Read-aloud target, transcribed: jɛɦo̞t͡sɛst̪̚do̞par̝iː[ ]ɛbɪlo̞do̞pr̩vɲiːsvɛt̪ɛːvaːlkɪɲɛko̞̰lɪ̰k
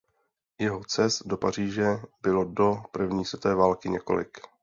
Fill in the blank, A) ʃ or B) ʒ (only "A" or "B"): B